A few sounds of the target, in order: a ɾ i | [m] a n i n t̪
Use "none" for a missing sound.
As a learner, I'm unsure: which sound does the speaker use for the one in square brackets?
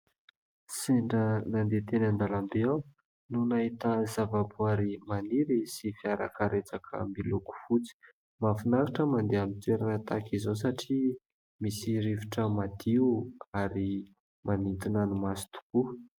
m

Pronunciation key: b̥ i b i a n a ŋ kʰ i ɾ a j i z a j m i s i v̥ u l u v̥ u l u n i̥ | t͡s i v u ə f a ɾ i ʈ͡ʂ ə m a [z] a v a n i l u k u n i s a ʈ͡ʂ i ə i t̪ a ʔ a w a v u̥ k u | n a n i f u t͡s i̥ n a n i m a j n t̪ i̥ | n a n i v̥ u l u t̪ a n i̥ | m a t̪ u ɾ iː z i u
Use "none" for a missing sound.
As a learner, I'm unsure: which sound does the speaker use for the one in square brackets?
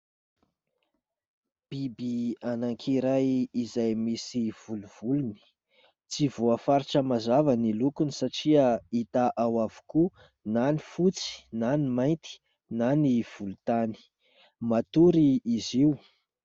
z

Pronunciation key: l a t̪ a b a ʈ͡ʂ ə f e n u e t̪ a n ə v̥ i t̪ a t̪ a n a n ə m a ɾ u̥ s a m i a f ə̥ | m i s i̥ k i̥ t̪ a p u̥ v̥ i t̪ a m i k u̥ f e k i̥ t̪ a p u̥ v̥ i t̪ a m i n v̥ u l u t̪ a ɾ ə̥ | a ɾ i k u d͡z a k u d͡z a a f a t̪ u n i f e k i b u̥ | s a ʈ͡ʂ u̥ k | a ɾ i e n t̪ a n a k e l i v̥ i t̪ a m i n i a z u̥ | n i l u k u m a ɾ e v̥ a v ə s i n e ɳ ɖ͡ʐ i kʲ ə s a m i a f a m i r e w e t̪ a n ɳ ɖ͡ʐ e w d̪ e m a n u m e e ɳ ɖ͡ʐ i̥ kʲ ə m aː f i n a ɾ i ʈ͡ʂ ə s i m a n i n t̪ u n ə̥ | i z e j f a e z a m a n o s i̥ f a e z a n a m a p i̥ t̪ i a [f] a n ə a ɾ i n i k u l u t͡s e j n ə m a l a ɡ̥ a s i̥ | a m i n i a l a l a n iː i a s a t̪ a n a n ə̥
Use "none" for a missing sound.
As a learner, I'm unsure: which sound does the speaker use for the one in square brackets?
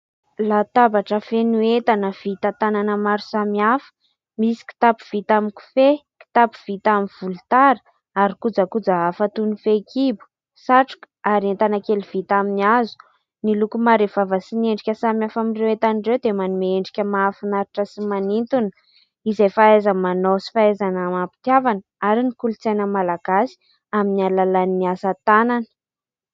v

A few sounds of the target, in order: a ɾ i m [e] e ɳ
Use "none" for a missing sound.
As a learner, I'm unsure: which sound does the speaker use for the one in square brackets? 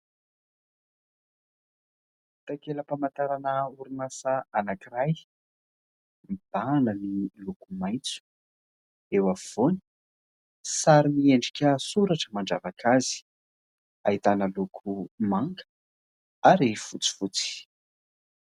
i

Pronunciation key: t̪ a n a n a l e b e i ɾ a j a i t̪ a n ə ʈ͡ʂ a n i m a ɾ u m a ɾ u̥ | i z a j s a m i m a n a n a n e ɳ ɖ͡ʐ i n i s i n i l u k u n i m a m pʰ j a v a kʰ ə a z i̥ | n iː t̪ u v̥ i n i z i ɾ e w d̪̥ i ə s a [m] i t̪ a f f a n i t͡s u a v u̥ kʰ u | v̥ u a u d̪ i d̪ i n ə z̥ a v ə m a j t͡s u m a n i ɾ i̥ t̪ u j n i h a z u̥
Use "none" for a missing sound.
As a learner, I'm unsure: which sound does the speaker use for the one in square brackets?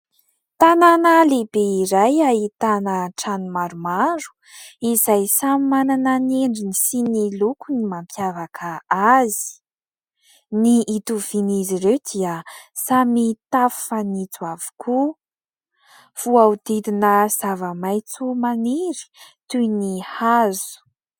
m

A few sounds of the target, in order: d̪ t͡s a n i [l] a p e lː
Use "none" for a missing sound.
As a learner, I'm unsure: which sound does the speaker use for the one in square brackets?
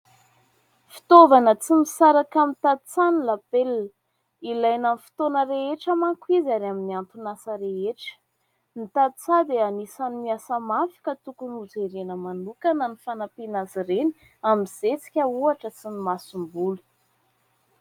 l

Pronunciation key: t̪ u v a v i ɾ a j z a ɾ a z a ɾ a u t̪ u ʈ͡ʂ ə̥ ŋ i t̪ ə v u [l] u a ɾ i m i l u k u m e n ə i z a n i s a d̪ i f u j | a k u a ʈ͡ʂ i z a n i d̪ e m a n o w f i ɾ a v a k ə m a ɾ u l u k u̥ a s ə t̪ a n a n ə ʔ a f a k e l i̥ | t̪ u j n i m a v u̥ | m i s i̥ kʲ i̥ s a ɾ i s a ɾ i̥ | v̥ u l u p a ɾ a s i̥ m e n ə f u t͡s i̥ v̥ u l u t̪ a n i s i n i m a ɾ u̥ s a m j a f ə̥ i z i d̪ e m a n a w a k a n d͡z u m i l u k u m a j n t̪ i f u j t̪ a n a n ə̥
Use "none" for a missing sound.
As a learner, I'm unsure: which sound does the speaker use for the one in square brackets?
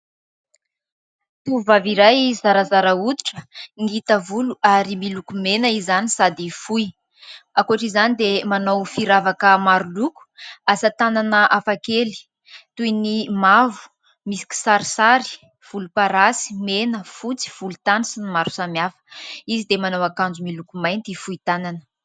l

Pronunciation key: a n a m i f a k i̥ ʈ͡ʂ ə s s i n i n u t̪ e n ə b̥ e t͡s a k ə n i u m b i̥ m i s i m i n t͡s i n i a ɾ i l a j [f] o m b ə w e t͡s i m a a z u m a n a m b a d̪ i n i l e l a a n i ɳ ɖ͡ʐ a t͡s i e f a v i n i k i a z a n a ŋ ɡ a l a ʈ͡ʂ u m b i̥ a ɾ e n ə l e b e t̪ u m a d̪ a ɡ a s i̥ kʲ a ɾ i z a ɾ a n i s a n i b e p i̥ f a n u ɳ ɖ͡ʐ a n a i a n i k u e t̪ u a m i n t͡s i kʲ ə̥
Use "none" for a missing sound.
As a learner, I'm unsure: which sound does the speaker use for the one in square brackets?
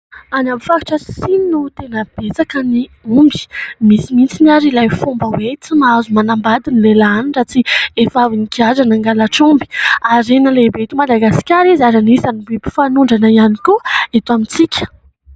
f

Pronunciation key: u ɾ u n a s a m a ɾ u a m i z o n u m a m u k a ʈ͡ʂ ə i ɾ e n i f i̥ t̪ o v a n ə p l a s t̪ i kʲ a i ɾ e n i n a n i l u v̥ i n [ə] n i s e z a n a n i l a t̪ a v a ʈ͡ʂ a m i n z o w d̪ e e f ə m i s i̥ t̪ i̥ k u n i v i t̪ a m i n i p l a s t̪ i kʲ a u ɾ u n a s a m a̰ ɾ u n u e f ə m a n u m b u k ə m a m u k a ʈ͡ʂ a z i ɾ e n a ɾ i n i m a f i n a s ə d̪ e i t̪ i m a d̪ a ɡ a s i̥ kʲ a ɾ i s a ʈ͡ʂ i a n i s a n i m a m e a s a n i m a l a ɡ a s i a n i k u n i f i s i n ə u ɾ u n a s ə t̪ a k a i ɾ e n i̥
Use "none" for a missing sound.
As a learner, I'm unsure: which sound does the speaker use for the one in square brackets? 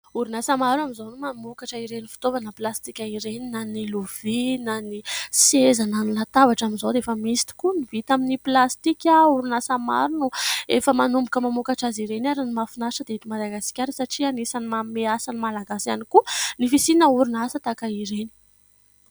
a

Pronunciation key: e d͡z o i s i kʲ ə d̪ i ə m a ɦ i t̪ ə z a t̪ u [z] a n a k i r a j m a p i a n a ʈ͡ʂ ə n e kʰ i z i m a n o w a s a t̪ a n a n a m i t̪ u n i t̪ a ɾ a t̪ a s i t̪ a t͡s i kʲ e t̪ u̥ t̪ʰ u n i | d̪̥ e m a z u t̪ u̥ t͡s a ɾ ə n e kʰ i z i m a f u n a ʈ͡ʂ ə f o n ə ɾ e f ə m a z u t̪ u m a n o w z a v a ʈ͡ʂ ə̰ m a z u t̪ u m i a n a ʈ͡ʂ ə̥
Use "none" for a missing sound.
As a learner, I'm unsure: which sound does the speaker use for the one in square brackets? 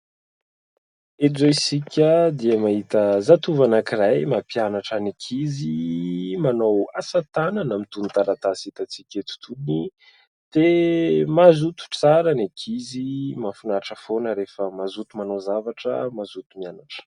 v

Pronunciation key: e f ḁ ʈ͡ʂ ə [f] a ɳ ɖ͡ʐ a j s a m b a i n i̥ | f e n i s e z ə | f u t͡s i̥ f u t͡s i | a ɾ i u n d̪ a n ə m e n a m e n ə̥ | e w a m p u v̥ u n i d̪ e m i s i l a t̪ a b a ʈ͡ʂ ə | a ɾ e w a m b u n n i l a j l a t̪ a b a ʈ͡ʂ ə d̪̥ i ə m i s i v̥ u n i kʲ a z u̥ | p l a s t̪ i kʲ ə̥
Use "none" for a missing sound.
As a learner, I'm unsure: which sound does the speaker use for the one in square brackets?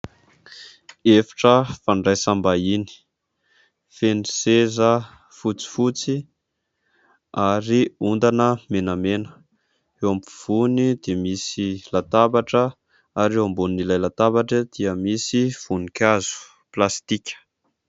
f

